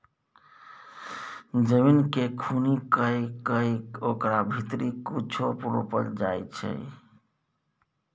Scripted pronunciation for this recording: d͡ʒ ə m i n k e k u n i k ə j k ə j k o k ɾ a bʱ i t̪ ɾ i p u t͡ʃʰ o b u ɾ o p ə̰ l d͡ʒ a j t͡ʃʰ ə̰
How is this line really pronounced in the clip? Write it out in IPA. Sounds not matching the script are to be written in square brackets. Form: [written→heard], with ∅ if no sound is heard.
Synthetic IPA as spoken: d͡ʒ ə m i n k e [k→kʰ] u n i k ə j k ə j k o k ɾ a bʱ i t̪ ɾ i [p→k] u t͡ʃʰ o [b→p] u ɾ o p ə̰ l d͡ʒ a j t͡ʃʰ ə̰